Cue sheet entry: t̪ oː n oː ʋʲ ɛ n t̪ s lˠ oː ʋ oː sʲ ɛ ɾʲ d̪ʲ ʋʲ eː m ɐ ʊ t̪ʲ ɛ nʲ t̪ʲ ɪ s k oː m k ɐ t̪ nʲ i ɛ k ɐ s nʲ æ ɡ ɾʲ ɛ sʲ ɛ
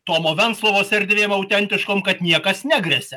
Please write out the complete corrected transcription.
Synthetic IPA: t̪ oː m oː ʋʲ ɛ n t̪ s lˠ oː ʋ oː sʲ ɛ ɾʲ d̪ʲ ʋʲ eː m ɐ ʊ t̪ʲ ɛ nʲ t̪ʲ ɪ ʃ k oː m k ɐ t̪ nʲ i ɛ k ɐ s nʲ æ ɡ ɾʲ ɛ sʲ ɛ